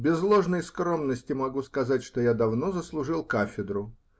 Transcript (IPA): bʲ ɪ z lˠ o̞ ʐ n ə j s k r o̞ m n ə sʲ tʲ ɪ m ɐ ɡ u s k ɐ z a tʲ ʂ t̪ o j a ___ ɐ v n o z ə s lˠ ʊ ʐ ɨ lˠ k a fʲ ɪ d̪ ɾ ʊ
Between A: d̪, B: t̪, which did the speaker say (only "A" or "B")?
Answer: A